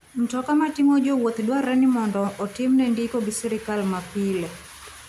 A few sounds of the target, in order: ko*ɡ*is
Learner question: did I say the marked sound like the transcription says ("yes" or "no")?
yes